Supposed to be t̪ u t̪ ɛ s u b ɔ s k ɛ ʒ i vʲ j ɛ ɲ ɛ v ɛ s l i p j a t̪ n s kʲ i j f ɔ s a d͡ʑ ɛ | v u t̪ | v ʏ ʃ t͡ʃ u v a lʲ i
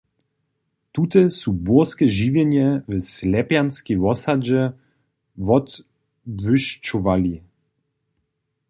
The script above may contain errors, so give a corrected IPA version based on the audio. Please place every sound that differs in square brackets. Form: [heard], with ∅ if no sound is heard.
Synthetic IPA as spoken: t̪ u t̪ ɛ s u b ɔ s k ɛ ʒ i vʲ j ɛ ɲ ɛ v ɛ s l [ɛ] p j a [∅] n s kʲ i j [v] ɔ s a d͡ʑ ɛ | v [ɔ] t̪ | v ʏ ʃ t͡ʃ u v a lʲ i